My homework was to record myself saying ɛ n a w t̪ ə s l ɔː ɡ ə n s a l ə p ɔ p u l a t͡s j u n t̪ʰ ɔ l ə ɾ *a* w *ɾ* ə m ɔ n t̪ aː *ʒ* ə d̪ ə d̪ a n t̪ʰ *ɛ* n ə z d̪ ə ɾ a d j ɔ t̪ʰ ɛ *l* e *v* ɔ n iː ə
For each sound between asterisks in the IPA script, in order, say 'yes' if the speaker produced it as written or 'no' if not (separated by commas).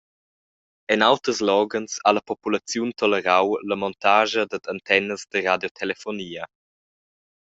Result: yes, no, yes, yes, yes, no